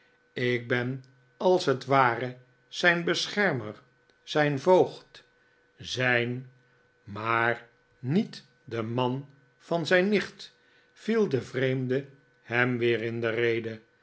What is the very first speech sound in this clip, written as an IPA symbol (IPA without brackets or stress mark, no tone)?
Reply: ɪ